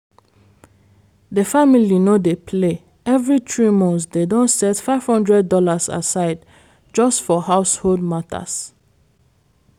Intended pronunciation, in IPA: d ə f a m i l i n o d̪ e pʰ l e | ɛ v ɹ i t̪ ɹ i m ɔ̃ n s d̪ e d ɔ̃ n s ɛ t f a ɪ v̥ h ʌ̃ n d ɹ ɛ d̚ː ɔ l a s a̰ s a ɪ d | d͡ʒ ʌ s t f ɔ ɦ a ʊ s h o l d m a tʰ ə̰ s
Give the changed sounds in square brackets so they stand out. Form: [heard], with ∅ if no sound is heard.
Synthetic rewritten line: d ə f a m i l i n o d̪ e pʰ l e | ɛ v ɹ i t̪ ɹ i m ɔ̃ n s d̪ e d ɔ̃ n s ɛ t f a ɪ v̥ h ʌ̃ n d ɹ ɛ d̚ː ɔ l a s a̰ s a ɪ d | d͡ʒ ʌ s t f ɔ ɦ a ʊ s h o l d m a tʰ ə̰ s